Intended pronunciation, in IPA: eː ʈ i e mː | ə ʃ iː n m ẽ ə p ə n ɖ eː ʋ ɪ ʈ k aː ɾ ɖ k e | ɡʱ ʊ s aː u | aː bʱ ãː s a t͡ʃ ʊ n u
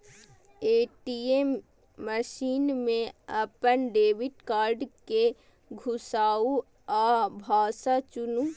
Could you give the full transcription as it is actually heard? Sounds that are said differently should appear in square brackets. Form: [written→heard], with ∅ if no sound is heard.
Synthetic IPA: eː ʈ i e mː | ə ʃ iː n m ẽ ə p ə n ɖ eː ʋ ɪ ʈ k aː ɾ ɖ k e | ɡʱ ʊ s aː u | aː bʱ [ãː→aː] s a t͡ʃ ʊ n u